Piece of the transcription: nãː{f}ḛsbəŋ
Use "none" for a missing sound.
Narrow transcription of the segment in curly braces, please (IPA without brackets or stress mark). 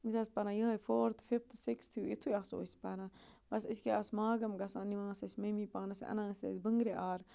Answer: s